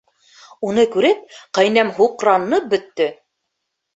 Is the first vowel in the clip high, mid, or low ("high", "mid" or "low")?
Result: high